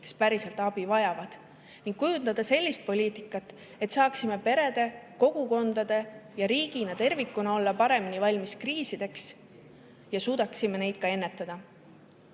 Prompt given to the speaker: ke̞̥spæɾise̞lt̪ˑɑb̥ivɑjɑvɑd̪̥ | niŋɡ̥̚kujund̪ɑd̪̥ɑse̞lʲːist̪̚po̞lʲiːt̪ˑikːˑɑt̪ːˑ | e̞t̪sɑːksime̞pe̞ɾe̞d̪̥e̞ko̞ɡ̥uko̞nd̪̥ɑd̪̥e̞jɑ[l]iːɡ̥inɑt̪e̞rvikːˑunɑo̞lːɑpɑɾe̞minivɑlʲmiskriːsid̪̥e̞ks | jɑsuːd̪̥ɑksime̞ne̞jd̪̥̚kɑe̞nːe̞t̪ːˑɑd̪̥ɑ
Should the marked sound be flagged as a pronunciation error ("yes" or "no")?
yes